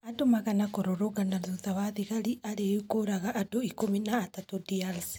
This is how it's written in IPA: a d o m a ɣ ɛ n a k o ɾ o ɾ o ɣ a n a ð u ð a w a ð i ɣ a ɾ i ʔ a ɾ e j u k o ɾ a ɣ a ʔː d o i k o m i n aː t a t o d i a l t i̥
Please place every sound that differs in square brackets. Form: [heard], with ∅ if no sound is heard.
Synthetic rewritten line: a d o m a ɣ [a] n a k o ɾ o ɾ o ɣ a n a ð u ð a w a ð i ɣ a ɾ i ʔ a ɾ e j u k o ɾ a ɣ a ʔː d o i k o m i n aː t a t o d i a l [s] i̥